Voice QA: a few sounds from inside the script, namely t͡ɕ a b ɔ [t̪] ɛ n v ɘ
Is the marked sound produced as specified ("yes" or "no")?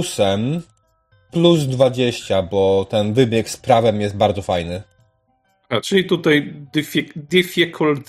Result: yes